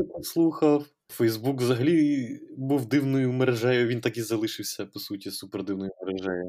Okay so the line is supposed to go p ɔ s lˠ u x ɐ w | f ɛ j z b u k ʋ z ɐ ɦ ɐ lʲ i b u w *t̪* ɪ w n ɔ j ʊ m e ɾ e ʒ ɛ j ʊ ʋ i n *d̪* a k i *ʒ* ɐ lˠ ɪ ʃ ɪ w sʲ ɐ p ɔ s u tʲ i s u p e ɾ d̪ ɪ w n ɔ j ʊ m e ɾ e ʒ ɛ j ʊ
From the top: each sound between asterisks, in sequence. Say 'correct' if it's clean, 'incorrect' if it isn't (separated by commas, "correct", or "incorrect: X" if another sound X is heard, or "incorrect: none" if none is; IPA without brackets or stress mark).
incorrect: d̪, incorrect: t̪, incorrect: z